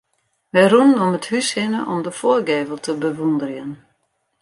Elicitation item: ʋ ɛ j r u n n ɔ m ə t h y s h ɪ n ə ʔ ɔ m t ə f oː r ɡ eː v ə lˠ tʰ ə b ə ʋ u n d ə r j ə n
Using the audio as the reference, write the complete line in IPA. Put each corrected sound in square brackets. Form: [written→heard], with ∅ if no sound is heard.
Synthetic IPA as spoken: ʋ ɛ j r u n n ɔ m ə t h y s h ɪ n ə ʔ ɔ m [t→d] ə f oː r ɡ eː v ə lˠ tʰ ə b ə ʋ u n d ə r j ə n

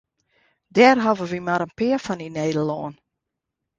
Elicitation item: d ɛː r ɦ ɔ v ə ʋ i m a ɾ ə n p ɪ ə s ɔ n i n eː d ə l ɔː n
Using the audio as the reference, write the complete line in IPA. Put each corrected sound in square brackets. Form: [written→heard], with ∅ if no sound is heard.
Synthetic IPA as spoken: d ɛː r ɦ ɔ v ə ʋ i m a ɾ ə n p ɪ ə [s→f] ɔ n i n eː d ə l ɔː n

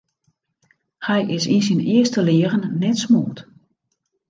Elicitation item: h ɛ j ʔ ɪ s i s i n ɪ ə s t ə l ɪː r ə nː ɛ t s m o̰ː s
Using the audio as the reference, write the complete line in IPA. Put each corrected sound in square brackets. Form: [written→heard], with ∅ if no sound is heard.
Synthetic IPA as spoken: h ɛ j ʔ ɪ s i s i n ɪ ə s t ə l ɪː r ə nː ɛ t s m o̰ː [s→t]

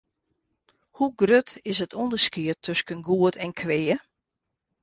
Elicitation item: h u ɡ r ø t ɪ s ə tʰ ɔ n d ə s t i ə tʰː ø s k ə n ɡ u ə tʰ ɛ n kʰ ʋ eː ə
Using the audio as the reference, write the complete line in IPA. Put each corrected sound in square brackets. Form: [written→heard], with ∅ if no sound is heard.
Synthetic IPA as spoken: h u ɡ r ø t ɪ s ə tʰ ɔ n d ə s [t→k] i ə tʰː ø s k ə n ɡ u ə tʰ ɛ n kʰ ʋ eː ə

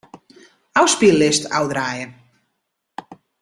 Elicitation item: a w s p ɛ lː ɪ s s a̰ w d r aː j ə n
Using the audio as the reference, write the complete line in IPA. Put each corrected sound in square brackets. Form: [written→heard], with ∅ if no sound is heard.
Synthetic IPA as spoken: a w s p [ɛ→i] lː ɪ s [s→t] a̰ w d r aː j ə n

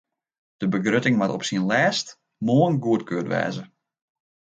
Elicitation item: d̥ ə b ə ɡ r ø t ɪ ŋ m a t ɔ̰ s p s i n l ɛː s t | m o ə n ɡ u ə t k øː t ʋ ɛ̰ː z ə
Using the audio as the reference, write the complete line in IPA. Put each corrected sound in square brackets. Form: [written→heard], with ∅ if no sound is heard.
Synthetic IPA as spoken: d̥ ə b ə ɡ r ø t ɪ ŋ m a t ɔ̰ [s→∅] p s i n l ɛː s t | m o ə n ɡ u ə t k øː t ʋ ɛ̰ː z ə

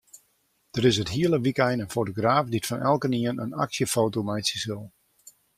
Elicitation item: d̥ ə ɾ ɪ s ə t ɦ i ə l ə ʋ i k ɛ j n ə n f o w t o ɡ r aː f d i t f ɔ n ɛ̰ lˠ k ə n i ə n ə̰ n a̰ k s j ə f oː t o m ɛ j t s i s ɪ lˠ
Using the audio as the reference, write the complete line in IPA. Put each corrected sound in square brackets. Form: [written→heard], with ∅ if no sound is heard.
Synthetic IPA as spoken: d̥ ə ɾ ɪ s ə t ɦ i ə l ə ʋ i k ɛ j n ə n f o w t o ɡ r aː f d i t f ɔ n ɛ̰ lˠ k ə n i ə n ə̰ n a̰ k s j ə f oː t o m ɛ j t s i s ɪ lˠ

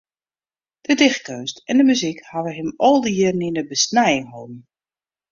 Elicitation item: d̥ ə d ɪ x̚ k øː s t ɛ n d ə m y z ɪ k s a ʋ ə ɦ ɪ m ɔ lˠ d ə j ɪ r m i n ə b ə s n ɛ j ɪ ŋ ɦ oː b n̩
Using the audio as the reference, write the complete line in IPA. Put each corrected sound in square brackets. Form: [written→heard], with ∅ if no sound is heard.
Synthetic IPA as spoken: d̥ ə d ɪ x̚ k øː s t ɛ n d ə m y z [ɪ→i] k [s→h] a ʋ ə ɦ ɪ m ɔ lˠ d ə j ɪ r [m→n] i n ə b ə s n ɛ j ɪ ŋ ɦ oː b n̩

